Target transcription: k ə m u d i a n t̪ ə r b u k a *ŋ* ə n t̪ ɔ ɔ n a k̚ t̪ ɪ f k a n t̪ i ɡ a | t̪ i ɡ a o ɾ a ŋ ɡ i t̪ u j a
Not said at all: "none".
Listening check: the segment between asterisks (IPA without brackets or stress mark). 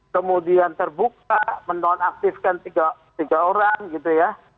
m